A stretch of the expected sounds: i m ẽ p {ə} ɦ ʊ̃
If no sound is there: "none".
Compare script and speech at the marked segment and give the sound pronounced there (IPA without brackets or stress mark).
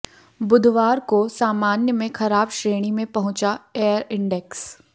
ɐ